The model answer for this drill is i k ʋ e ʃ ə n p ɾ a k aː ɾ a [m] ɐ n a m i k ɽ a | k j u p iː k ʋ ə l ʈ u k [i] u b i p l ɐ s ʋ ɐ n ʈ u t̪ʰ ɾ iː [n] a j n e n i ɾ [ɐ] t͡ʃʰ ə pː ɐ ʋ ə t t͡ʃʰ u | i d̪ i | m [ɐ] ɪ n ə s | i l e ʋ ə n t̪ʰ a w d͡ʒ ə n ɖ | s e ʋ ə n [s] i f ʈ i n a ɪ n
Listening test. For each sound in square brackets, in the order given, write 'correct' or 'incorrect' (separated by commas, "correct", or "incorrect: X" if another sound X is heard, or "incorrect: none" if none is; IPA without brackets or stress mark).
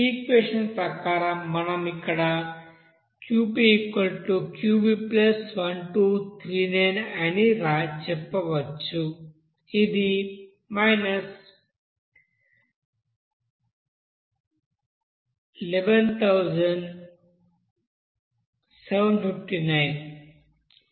correct, incorrect: j, correct, incorrect: a, incorrect: a, incorrect: f